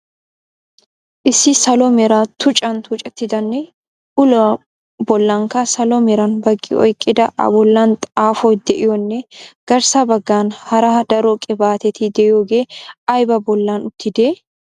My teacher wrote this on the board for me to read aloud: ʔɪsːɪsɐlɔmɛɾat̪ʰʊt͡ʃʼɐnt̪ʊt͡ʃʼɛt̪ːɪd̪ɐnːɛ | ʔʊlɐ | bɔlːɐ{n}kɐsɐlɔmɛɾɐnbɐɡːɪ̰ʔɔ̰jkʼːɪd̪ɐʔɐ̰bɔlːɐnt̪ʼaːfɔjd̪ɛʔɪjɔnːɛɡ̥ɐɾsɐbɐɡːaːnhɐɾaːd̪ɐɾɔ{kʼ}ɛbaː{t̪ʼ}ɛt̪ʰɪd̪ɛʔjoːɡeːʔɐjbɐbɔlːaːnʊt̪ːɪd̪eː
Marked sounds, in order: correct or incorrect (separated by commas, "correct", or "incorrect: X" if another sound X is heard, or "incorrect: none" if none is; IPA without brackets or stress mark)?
incorrect: ŋ, correct, incorrect: t̪